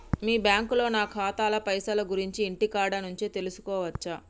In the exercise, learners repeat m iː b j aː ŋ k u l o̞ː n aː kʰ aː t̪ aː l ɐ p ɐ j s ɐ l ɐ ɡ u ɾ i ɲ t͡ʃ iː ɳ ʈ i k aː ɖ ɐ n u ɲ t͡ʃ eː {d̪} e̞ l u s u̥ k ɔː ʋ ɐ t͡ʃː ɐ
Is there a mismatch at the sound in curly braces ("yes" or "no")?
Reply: yes